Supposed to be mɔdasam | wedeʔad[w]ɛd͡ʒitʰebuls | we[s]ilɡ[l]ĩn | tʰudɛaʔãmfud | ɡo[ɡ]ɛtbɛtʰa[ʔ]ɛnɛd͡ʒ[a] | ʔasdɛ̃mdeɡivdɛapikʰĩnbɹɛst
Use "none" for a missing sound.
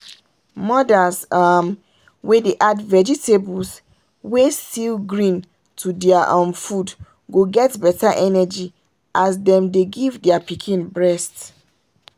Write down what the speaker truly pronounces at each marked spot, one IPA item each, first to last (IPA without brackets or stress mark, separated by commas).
v, s, ɹ, ɡ, ʔ, i